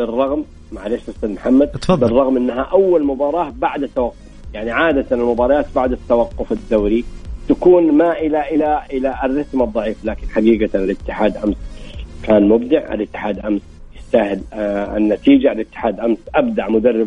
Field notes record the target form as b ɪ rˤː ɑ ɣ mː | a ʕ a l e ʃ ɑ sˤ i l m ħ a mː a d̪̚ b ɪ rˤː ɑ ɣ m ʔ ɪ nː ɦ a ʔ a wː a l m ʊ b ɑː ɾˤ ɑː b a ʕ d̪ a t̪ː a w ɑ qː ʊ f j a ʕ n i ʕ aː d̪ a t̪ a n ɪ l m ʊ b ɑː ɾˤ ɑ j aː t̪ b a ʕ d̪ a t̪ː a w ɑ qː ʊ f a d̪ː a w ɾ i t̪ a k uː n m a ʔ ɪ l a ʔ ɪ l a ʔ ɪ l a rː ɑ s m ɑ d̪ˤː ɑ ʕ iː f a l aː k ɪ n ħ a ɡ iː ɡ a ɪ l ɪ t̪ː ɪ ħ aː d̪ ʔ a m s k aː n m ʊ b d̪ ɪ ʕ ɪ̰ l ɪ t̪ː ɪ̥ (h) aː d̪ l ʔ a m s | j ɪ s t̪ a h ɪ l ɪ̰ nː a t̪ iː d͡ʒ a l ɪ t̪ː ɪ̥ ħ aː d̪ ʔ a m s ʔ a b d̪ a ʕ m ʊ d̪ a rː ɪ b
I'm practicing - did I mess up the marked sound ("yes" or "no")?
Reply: yes